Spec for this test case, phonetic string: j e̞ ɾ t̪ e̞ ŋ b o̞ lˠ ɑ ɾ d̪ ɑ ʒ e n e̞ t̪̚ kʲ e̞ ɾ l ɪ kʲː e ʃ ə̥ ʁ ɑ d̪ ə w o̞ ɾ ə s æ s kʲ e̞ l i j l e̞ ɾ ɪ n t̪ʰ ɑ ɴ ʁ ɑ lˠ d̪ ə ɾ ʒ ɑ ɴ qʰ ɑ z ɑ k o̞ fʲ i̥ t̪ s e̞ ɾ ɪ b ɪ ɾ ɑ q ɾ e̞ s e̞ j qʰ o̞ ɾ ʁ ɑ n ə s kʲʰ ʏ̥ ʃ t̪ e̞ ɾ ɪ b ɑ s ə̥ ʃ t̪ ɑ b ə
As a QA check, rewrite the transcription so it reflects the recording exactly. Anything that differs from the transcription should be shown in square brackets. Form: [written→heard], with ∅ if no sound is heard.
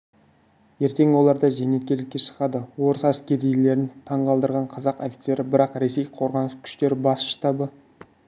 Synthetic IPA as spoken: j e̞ ɾ t̪ e̞ ŋ [b→w] o̞ lˠ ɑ ɾ d̪ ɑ ʒ e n e̞ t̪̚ kʲ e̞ ɾ l ɪ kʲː e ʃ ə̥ ʁ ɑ d̪ ə w o̞ ɾ ə s æ s kʲ e̞ [l→ɾ] i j l e̞ ɾ ɪ n t̪ʰ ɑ ɴ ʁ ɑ lˠ d̪ ə ɾ [ʒ→ʁ] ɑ ɴ qʰ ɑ z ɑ [k→q] o̞ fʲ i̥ t̪ s e̞ ɾ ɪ b ɪ ɾ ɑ q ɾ e̞ s e̞ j qʰ o̞ ɾ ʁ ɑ n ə s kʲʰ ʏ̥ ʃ t̪ e̞ ɾ ɪ b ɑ s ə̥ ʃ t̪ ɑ b ə